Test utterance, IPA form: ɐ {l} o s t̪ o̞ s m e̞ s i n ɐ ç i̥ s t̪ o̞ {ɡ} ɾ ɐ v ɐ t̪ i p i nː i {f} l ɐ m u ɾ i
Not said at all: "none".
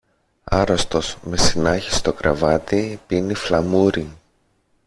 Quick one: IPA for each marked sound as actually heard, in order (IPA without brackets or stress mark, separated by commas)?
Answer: ɾ, k, f